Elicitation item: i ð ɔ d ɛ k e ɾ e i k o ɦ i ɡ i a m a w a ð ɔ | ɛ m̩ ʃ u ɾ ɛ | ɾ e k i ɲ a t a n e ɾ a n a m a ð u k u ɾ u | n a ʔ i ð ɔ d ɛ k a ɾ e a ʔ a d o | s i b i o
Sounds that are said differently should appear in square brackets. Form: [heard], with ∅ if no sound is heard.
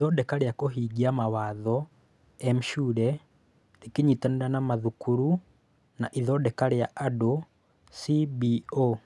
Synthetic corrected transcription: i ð ɔ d ɛ k [a] ɾ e [a] k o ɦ i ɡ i a m a w a ð ɔ | ɛ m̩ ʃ u ɾ ɛ | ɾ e k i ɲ [i] t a n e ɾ a n a m a ð u k u ɾ u | n a ʔ i ð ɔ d ɛ k a ɾ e a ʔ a d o | s i b i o